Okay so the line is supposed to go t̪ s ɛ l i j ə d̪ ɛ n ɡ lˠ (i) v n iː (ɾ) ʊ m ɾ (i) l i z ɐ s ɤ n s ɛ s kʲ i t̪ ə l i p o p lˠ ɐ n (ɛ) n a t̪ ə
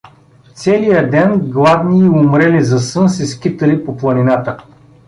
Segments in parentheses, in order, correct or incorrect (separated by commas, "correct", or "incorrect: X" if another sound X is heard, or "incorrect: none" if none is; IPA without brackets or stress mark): incorrect: a, incorrect: none, incorrect: ɛ, incorrect: i